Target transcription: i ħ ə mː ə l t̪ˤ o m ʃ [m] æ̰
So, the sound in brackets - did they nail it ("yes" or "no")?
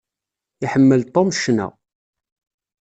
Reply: no